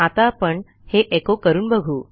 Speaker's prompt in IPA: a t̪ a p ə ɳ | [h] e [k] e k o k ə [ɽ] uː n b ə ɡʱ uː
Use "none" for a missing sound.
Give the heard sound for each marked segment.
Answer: h, ʔ, ɾ

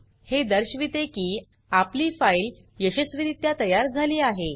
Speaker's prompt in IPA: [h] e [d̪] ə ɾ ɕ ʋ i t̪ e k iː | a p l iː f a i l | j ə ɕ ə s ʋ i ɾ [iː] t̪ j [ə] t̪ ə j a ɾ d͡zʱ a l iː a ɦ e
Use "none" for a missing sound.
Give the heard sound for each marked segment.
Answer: h, d̪, i, a

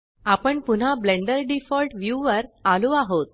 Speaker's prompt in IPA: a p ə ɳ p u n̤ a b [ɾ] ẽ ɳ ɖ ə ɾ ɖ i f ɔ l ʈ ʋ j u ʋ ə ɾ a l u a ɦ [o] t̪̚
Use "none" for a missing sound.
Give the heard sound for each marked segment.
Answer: l, o

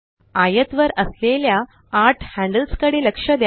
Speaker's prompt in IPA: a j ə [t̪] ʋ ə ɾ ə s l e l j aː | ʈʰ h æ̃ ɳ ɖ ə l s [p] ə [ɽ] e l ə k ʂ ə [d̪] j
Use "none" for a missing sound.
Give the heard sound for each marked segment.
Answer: t̪, k, ɽ, d̪

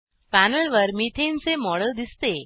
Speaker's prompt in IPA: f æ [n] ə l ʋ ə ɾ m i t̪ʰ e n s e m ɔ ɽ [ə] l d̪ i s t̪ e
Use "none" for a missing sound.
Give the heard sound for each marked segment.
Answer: n, ə

